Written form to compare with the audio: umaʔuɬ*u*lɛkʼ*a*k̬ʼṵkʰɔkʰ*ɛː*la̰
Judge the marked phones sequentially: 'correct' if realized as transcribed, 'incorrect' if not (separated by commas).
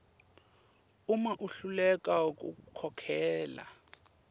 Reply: correct, correct, correct